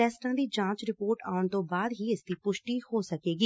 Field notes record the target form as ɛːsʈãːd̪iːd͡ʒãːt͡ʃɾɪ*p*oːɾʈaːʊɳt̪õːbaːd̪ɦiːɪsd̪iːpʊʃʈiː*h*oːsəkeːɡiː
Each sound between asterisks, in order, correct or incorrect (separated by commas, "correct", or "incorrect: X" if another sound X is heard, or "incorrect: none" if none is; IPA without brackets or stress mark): correct, correct